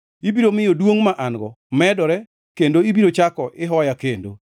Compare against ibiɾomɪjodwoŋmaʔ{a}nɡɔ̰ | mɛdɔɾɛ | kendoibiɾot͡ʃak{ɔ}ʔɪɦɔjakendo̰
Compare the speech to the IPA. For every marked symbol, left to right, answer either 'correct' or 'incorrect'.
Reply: correct, correct

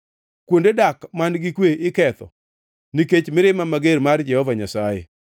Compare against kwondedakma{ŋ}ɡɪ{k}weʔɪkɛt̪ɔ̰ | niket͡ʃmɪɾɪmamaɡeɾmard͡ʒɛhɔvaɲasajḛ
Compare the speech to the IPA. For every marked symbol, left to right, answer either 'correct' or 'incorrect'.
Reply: incorrect, correct

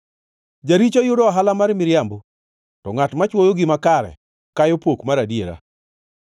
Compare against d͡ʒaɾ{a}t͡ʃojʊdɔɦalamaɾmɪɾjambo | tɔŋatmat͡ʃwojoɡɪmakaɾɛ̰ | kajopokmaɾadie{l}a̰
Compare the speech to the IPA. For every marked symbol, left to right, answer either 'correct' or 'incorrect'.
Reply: incorrect, incorrect

